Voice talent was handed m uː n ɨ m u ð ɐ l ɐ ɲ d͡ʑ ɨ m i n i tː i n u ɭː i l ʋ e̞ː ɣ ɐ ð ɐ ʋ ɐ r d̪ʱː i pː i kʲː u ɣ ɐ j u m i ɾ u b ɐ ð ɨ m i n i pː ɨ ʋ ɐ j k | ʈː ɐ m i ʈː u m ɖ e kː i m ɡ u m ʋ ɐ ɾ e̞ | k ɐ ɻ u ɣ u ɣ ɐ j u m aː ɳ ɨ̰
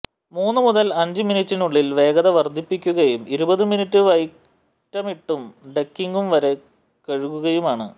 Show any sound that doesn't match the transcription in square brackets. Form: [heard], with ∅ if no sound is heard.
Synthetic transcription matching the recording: m uː [nː] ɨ m u ð ɐ l ɐ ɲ d͡ʑ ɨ m i n i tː i n u ɭː i l ʋ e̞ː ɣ ɐ ð ɐ ʋ ɐ r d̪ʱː i pː i kʲː u ɣ ɐ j u m i ɾ u b ɐ ð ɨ m i n i [tː] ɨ ʋ ɐ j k | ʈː ɐ m i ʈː u m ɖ e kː i [ŋ] ɡ u m ʋ ɐ ɾ e̞ | k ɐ ɻ u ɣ u ɣ ɐ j u m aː ɳ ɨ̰